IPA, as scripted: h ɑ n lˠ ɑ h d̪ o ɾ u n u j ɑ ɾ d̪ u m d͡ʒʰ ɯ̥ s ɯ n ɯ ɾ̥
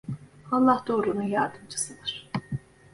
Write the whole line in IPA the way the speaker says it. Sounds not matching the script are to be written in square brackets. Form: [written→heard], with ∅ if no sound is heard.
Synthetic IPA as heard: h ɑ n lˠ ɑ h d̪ o ɾ u n u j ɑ ɾ d̪ [u→ɯ] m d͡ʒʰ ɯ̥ s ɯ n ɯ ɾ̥